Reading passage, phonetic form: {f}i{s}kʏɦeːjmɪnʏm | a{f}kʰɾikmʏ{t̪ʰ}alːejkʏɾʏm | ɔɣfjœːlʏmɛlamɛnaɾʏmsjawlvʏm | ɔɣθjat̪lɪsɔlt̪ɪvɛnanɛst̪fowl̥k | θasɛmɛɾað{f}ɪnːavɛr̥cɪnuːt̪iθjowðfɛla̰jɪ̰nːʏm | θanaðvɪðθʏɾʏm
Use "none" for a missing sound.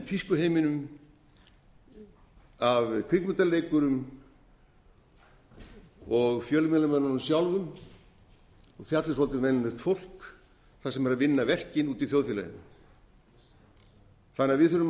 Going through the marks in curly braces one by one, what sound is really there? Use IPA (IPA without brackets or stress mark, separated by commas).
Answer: f, s, v, t̪, v